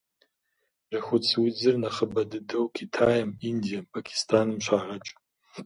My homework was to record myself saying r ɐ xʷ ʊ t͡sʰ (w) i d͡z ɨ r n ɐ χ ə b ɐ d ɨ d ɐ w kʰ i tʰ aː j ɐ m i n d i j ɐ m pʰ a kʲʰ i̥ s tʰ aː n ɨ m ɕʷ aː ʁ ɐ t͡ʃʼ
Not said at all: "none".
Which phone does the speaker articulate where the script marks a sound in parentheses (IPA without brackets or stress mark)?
w